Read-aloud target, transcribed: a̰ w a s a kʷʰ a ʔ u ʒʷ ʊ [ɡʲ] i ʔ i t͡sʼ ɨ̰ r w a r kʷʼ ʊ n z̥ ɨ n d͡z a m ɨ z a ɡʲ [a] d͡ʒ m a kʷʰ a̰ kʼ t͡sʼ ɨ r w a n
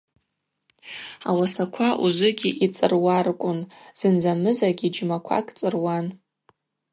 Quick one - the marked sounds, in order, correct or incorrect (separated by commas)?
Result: correct, incorrect